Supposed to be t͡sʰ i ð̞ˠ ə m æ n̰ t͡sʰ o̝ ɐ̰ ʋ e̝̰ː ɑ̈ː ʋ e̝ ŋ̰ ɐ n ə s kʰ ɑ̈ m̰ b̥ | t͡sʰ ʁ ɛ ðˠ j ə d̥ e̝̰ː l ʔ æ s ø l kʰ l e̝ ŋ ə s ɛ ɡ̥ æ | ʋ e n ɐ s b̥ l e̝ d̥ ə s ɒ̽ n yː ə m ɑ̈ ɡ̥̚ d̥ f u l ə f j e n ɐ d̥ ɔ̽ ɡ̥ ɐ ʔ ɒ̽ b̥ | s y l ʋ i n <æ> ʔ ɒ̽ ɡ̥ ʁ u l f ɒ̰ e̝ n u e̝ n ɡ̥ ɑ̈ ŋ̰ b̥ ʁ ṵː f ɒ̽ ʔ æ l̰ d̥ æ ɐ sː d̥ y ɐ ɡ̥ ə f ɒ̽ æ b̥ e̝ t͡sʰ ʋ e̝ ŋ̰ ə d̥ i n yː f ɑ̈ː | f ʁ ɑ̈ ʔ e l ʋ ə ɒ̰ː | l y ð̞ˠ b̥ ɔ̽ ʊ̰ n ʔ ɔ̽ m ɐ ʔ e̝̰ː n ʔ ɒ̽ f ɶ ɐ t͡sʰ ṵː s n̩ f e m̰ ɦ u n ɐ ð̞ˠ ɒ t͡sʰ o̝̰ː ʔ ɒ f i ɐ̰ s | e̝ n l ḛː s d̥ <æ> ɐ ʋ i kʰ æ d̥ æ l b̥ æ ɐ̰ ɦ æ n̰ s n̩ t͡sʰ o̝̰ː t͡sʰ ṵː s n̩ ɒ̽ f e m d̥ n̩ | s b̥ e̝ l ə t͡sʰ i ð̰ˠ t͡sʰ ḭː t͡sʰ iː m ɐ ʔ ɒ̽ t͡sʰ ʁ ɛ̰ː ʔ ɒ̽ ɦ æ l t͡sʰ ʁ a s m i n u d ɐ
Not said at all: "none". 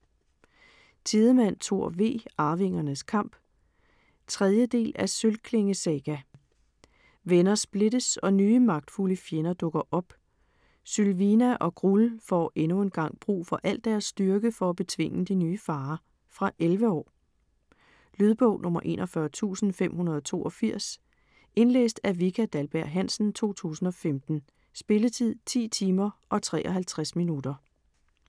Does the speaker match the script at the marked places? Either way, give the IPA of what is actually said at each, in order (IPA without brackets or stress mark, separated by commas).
æ, æ